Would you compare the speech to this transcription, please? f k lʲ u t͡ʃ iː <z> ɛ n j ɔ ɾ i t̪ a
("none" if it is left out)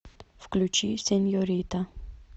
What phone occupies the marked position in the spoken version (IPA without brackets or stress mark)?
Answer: s